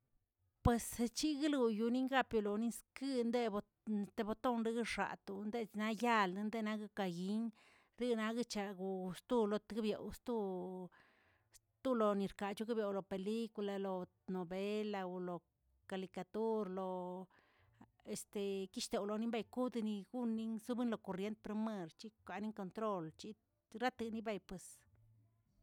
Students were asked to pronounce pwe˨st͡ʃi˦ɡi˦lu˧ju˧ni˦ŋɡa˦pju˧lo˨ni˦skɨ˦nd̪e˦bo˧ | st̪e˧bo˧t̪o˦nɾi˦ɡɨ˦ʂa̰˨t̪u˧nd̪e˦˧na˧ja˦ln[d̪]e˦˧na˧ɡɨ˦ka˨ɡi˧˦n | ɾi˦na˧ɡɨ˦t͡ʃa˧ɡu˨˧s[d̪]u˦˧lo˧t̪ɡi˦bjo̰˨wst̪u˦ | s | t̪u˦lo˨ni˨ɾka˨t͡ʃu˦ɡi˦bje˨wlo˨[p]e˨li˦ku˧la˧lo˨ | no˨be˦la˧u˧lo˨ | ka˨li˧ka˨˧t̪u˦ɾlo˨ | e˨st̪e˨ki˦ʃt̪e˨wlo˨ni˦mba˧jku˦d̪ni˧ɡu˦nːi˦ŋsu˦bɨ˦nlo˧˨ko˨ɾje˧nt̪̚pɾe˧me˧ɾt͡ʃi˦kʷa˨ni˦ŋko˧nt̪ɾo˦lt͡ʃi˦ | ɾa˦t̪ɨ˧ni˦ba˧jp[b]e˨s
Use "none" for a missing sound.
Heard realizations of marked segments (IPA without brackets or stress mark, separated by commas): d̪, t̪, p, w